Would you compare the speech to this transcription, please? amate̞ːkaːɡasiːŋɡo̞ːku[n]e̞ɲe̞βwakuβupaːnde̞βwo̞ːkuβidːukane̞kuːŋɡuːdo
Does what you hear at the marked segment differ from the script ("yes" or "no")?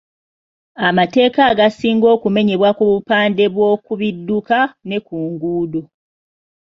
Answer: yes